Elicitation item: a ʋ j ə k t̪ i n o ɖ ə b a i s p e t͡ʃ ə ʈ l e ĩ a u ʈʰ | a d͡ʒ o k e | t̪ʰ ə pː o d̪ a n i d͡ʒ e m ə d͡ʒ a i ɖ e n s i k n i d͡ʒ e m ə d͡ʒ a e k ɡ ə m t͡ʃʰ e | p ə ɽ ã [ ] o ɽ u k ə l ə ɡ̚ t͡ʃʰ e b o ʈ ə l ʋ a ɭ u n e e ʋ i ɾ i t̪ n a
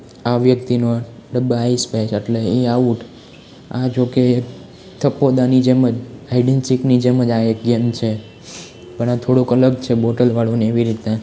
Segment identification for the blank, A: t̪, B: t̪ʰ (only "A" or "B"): B